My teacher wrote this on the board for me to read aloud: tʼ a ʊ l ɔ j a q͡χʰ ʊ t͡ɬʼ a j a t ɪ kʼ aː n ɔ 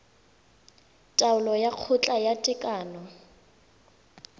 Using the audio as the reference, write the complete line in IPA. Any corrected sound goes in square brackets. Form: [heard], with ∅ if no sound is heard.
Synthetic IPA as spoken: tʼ a ʊ l ɔ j a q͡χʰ ʊ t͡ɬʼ a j a [tʼ] ɪ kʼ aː n ɔ